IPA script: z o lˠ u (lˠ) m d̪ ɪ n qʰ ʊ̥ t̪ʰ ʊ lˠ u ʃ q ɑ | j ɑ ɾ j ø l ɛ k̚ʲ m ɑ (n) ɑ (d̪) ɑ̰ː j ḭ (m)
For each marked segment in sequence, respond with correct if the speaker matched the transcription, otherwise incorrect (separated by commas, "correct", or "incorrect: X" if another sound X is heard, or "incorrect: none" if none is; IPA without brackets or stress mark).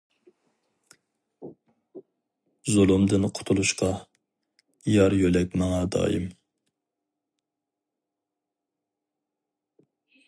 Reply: incorrect: none, incorrect: ŋ, correct, correct